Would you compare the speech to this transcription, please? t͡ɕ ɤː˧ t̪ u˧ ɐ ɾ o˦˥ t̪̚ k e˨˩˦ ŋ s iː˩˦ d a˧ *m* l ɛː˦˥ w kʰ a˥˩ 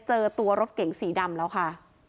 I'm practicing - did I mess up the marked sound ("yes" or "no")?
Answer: no